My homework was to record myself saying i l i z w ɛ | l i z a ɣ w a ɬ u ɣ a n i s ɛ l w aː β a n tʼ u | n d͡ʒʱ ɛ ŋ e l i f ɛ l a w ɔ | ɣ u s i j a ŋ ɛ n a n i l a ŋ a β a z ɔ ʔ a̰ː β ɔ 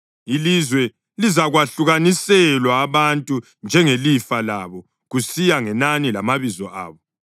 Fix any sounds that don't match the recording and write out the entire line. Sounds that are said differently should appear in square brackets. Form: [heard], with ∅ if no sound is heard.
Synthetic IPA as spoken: i l i z w ɛ | l i z a ɣ w a ɬ u ɣ a n i s ɛ l w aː β a n tʼ u | n d͡ʒʱ ɛ ŋ e l i f [a] l a [β] ɔ | ɣ u s i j a ŋ ɛ n a n i l a [m] a β [i] z ɔ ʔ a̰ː β ɔ